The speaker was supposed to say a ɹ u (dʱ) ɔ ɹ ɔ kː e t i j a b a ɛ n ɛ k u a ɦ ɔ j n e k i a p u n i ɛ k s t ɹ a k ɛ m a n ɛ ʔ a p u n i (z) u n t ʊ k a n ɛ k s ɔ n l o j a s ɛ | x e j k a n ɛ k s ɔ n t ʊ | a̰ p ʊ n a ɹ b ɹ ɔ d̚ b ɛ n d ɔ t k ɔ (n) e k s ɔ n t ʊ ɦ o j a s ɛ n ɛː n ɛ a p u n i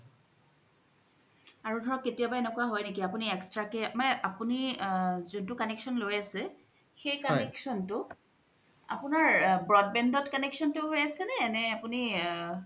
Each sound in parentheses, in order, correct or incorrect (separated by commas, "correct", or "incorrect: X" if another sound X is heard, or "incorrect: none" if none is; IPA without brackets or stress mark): correct, correct, correct